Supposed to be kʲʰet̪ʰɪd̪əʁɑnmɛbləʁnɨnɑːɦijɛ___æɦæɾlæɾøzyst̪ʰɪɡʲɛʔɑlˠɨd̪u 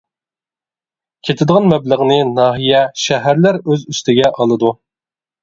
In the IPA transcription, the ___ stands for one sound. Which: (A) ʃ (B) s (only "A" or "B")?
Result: A